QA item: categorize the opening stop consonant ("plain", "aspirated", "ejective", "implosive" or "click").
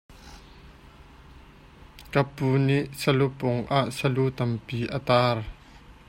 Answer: plain